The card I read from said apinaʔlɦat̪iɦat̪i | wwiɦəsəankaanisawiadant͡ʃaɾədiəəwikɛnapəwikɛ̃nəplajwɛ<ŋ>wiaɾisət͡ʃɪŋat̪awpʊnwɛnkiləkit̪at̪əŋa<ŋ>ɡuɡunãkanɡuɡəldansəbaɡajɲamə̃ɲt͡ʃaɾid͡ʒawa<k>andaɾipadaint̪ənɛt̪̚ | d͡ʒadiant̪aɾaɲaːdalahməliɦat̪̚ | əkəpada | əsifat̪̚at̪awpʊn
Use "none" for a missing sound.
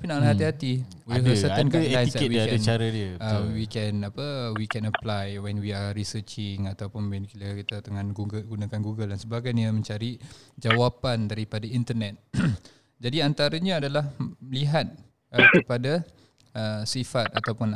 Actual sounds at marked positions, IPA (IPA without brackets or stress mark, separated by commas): n, n, p